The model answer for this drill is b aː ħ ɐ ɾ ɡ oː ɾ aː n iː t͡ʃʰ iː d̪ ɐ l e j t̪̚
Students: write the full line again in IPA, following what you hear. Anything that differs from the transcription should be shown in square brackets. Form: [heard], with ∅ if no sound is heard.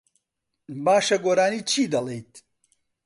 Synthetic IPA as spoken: b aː [ʃ] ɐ [∅] ɡ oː ɾ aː n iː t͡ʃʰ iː d̪ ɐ l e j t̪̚